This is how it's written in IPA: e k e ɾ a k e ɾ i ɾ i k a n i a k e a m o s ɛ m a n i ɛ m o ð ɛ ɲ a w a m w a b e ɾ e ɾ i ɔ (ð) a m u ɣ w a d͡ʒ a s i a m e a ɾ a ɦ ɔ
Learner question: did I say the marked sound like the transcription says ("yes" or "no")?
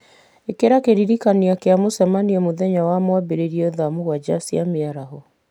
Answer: yes